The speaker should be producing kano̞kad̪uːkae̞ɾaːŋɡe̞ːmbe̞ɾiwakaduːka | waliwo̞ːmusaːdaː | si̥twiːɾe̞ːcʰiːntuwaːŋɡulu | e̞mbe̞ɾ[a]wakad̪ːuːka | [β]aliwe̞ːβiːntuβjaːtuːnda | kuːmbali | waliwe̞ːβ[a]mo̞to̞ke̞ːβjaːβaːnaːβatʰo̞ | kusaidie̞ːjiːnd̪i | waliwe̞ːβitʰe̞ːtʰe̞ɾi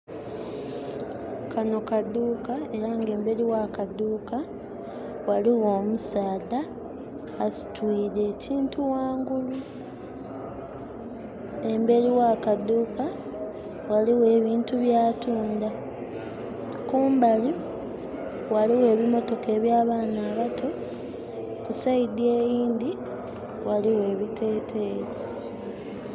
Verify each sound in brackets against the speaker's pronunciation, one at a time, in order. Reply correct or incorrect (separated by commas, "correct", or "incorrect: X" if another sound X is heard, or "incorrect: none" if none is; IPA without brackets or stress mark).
incorrect: i, incorrect: w, incorrect: i